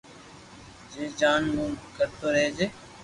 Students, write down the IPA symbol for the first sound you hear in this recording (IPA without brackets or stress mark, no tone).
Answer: d͡ʒ